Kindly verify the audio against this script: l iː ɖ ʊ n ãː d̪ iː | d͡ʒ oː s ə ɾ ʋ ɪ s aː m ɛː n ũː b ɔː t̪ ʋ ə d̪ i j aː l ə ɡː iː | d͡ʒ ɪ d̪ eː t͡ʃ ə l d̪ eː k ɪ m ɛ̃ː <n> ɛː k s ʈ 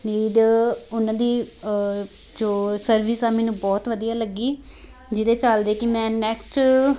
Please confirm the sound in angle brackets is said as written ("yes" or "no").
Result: yes